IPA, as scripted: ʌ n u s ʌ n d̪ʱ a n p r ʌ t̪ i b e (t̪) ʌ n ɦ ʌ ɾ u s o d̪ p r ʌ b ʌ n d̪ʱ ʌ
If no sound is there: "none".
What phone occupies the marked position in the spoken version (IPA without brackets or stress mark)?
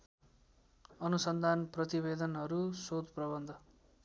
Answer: d̪